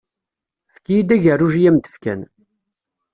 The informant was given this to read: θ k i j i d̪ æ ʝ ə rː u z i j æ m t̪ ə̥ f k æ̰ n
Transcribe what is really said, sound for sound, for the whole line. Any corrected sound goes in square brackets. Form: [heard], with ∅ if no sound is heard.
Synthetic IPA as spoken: [f] k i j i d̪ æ ʝ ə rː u [ʒ] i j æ m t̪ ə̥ f k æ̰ n

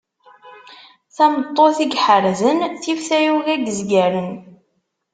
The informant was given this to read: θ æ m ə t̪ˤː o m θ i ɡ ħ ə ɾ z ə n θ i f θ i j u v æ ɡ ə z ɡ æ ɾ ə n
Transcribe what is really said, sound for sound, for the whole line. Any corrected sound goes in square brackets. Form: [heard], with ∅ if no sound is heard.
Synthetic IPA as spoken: θ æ m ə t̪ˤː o [∅] θ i ɡ ħ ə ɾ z ə n θ i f θ [æ] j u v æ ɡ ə z ɡ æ ɾ ə n

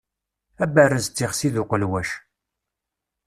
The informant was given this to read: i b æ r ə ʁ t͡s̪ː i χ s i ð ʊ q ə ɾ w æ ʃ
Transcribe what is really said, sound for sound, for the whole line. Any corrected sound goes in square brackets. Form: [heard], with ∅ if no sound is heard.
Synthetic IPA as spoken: [æ] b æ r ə [z] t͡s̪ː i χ s i ð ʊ q ə [l] w æ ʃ

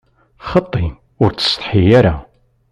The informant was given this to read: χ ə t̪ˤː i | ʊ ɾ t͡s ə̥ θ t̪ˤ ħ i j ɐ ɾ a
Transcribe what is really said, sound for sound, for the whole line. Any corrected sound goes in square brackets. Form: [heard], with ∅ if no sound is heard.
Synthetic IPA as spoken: χ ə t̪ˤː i | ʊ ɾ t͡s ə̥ [s] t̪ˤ ħ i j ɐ ɾ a

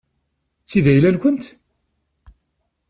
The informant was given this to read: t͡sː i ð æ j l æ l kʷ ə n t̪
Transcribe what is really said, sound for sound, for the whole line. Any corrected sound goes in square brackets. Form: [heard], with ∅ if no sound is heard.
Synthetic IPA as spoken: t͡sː i ð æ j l æ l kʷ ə n t̪

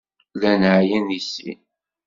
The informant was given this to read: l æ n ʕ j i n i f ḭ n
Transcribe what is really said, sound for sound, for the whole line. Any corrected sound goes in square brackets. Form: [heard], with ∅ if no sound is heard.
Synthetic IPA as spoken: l æ n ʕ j [æ] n i [s] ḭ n

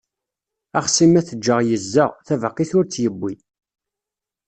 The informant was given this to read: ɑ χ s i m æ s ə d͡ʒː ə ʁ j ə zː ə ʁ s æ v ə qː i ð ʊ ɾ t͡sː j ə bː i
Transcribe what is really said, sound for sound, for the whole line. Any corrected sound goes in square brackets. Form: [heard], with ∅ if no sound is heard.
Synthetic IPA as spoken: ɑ χ s i m æ [θ] ə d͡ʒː ə ʁ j ə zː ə ʁ [θ] æ v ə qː i [θ] ʊ ɾ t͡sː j ə bː i

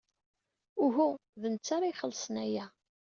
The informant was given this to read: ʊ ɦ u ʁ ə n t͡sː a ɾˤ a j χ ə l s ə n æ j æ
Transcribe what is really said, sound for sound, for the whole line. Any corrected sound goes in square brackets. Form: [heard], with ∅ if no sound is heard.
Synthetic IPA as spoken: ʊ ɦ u [ð] ə n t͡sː a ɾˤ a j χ ə l s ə n æ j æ

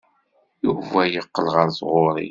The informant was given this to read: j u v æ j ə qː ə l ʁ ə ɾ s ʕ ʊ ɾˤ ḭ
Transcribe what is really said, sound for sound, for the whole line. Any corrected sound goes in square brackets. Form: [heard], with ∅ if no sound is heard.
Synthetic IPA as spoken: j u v æ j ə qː ə l ʁ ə ɾ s [ʁ] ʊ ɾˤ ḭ

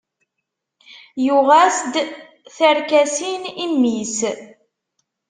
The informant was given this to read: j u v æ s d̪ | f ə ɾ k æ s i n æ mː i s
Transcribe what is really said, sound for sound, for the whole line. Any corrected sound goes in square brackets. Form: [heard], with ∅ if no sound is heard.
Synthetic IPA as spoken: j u [ʁ] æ s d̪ | [θ] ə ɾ k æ s i n [i] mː i s

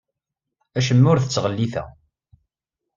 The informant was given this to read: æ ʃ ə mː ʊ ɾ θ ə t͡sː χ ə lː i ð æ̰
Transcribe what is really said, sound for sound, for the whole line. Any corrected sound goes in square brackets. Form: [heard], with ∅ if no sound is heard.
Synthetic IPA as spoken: æ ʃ ə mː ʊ ɾ θ ə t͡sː [ʁ] ə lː i [θ] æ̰

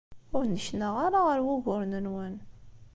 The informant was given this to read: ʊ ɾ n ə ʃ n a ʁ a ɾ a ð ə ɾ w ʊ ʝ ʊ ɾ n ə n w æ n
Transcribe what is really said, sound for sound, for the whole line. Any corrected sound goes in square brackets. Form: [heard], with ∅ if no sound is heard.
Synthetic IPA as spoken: ʊ ɾ n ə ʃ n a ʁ a ɾ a [ʁ] ə ɾ w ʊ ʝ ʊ ɾ n ə n w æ n

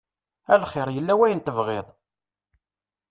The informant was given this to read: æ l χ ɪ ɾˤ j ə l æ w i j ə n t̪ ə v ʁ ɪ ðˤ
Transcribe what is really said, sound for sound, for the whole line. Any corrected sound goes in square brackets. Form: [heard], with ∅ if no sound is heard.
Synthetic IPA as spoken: æ l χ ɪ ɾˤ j ə [lː] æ w [æ] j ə n t̪ ə v ʁ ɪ ðˤ

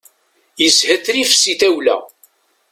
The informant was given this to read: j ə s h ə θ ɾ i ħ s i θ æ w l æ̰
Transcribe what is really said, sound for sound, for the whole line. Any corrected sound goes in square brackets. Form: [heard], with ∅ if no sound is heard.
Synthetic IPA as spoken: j ə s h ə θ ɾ i [f] s i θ æ w l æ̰

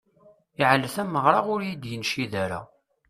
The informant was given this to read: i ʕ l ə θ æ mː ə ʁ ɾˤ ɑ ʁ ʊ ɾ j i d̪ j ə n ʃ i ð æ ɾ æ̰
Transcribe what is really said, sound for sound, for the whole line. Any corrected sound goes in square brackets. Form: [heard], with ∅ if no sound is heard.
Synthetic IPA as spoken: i ʕ l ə θ æ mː ə ʁ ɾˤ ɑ ʁ ʊ ɾ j i d̪ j ə n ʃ i ð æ ɾ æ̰

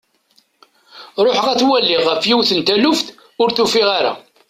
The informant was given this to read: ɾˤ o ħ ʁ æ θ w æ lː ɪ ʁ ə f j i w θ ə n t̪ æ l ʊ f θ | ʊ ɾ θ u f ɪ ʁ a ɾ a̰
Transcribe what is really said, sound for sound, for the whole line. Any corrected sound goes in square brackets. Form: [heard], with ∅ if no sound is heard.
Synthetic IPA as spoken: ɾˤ o ħ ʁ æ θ w æ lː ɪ ʁ ə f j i w θ ə n t̪ æ l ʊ f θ | ʊ ɾ θ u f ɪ ʁ a ɾ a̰

